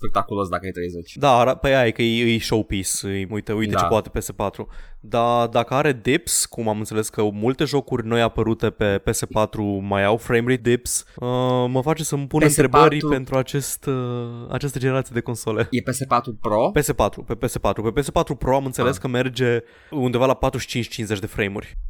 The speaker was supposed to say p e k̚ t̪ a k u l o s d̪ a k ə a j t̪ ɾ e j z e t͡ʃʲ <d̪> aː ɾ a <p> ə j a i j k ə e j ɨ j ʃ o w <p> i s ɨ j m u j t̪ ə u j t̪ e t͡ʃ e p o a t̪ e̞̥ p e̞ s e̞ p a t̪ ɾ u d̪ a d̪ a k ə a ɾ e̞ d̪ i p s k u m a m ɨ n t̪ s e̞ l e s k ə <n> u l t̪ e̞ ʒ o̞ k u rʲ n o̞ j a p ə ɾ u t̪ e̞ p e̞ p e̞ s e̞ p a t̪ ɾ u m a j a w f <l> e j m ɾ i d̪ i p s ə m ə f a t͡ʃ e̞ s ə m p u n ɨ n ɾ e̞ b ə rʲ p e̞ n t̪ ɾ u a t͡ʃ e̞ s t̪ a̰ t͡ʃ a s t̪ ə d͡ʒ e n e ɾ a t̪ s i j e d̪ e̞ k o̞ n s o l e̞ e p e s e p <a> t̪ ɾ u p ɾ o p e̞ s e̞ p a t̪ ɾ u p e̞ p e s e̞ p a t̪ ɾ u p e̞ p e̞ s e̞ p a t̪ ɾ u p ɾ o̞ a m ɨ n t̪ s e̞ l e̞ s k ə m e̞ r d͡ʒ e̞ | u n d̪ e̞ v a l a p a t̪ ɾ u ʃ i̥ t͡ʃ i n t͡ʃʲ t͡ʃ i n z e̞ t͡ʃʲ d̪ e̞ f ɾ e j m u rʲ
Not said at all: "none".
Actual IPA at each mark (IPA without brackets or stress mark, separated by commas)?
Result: d̪, p, p, m, ɾ, a